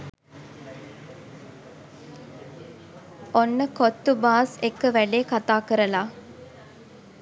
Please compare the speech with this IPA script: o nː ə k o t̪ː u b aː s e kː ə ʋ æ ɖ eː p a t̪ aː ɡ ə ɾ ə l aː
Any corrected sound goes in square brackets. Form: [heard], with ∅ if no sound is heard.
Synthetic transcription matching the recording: o nː ə k o t̪ː u b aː s e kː ə ʋ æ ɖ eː [k] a t̪ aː [k] ə ɾ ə l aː